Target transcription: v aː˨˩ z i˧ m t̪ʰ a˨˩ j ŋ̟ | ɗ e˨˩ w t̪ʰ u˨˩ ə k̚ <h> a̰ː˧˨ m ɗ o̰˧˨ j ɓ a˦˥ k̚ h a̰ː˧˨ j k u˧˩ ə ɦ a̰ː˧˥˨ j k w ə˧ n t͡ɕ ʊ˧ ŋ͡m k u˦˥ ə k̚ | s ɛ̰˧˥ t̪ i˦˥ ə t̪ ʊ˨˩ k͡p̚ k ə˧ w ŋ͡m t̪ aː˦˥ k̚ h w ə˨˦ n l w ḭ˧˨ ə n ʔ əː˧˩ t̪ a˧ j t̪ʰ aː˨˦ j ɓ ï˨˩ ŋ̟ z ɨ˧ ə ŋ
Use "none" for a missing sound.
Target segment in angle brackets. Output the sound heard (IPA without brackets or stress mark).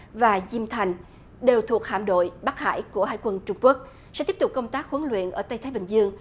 h